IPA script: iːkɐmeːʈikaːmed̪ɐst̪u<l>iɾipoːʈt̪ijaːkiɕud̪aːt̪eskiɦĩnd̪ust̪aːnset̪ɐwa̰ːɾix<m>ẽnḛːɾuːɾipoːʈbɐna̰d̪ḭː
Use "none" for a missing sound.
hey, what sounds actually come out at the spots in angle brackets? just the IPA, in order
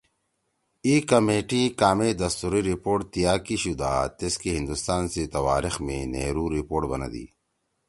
ɾ, m

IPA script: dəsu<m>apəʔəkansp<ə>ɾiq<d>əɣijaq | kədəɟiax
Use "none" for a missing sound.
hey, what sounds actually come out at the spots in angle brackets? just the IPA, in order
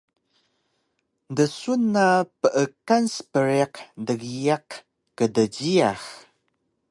n, ə, d

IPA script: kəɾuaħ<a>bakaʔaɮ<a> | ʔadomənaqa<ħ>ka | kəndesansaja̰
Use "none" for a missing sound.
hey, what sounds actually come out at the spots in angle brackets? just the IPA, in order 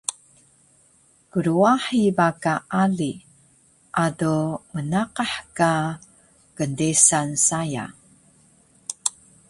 i, i, ħ

